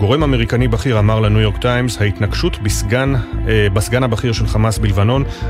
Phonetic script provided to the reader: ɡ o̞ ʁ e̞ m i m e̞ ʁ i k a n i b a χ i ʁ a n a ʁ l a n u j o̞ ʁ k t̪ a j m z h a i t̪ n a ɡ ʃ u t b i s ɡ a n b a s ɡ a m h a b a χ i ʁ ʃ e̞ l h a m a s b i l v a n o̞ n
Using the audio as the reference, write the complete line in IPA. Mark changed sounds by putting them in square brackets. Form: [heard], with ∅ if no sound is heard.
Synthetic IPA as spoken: ɡ o̞ ʁ e̞ m [a] m e̞ ʁ i k a n i b a χ i ʁ a [m] a ʁ l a n u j o̞ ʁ k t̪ a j m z h a i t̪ n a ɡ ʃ u t b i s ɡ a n b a s ɡ a [n] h a b a χ i ʁ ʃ e̞ l [χ] a m a s b i l v a n o̞ n